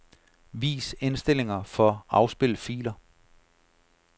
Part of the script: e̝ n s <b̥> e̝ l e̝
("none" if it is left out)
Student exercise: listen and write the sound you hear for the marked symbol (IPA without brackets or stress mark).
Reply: d̥